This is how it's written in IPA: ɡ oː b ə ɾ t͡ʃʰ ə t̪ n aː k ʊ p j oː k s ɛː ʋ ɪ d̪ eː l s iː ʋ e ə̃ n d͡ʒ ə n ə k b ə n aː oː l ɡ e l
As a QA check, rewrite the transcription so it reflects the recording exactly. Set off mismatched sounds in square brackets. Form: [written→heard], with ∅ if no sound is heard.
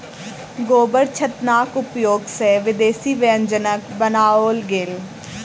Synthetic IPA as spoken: ɡ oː b ə ɾ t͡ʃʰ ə t̪ n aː k ʊ p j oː [k→ɡ] s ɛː ʋ ɪ d̪ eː [l→∅] s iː ʋ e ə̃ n d͡ʒ ə n ə k b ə n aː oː l ɡ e l